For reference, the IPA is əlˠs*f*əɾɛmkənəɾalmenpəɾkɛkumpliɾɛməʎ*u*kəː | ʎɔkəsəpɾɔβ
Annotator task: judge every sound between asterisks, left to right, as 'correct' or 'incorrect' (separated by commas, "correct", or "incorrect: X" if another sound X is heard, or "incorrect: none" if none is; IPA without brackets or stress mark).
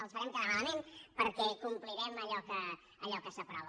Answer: correct, incorrect: ɔ